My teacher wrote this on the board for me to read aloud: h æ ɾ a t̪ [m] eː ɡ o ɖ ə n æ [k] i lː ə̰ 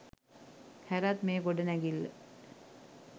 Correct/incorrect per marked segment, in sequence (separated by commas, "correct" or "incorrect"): correct, incorrect